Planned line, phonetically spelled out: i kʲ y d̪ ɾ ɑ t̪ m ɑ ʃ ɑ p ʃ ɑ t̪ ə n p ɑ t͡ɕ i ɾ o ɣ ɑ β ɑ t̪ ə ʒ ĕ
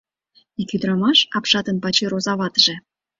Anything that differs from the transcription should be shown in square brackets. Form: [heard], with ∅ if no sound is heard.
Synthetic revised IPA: i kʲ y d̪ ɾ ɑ [∅] m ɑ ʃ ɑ p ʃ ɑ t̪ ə n p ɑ t͡ɕ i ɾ o [z] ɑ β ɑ t̪ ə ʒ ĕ